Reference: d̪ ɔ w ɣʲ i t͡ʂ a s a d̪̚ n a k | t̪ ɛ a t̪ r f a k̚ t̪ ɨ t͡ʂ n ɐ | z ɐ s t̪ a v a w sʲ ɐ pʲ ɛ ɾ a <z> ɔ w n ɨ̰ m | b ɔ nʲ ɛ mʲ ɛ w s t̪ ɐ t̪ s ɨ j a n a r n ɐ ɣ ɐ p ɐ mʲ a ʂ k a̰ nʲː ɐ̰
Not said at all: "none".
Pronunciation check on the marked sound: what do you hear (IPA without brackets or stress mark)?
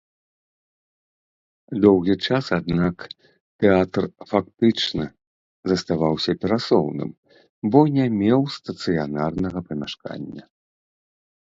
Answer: s